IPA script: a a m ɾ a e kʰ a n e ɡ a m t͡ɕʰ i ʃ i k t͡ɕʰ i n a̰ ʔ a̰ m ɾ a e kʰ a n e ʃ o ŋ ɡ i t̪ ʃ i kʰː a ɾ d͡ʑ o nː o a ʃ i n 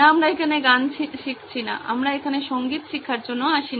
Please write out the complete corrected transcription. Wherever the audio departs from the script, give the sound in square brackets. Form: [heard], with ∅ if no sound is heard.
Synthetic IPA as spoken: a a m ɾ a e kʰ a n e ɡ a [n] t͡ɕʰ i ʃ i k t͡ɕʰ i n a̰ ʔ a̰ m ɾ a e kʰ a n e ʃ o ŋ ɡ i t̪ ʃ i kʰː a ɾ d͡ʑ o nː o a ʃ i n